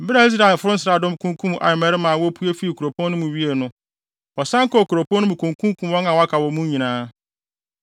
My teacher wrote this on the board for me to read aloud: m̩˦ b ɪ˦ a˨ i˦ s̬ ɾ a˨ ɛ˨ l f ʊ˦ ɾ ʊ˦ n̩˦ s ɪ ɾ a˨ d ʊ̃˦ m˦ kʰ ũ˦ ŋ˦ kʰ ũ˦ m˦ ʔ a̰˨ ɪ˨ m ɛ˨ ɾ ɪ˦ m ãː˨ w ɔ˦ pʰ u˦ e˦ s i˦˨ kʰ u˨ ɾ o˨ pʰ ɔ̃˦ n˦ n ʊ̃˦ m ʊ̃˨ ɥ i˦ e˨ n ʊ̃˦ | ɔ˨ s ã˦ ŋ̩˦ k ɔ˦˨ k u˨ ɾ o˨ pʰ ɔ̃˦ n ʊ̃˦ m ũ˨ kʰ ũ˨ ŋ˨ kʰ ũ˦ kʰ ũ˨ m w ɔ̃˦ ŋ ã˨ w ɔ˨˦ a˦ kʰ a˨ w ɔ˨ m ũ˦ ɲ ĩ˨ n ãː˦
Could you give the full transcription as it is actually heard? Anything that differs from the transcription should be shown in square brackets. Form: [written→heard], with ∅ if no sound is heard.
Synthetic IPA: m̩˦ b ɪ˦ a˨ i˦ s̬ ɾ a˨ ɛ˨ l f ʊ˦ ɾ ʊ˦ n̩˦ s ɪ ɾ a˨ d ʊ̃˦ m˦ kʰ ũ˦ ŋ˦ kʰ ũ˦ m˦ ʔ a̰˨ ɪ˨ m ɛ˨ ɾ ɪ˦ m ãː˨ w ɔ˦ pʰ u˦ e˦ [s→f] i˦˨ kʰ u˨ ɾ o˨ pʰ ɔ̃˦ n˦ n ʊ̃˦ m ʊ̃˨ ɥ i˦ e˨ n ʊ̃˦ | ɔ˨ s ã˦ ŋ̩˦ k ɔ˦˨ k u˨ ɾ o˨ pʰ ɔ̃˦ n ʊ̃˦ m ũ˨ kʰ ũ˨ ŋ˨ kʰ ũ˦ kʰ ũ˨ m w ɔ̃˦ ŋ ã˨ w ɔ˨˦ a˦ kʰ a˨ w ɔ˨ m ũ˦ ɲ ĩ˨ n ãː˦